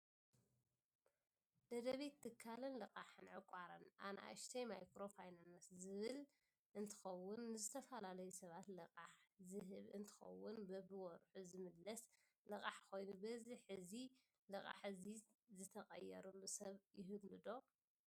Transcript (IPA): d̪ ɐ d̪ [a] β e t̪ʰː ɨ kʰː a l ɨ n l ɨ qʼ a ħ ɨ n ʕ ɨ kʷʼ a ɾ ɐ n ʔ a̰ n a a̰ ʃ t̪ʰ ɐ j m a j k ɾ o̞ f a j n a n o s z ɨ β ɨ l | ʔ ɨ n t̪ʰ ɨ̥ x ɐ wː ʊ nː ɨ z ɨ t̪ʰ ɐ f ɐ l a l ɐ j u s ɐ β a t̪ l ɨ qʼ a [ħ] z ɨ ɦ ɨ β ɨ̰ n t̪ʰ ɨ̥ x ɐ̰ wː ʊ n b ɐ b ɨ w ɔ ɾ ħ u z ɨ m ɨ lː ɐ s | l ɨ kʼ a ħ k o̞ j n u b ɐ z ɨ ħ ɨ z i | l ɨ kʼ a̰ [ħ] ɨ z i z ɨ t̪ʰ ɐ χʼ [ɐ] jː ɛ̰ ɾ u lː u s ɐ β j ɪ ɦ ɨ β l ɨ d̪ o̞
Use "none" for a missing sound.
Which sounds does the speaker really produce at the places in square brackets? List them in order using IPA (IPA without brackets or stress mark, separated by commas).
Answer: ɐ, ħ, ħ, ɐ